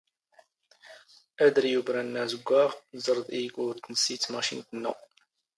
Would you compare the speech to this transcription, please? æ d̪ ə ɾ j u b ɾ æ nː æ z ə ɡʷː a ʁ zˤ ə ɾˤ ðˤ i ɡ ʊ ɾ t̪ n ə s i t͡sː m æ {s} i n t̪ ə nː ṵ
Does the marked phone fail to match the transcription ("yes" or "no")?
yes